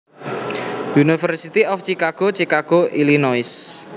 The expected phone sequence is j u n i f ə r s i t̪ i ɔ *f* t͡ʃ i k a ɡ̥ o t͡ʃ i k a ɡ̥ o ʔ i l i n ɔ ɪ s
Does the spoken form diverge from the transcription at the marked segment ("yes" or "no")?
no